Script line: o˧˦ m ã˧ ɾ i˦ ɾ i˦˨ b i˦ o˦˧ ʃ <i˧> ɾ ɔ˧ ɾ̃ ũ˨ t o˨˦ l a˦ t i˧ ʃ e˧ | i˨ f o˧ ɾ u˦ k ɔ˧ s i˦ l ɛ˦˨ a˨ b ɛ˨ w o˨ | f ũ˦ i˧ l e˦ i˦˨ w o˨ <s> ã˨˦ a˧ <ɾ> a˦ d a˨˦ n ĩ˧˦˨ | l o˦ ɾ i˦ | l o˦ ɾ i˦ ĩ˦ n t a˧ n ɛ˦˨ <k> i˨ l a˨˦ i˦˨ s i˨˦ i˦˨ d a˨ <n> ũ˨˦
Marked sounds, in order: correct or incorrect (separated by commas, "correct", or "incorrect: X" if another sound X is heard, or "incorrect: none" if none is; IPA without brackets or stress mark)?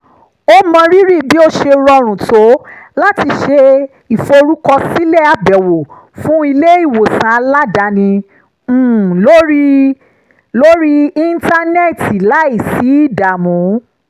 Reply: incorrect: e˧, correct, incorrect: l, incorrect: t, incorrect: m